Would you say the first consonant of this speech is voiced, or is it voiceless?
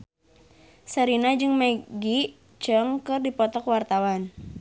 voiceless